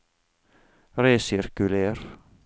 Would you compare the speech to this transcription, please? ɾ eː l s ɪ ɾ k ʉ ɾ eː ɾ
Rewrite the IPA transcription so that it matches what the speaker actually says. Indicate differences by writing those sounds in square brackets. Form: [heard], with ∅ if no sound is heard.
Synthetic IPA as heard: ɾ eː [∅] s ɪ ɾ k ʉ [l] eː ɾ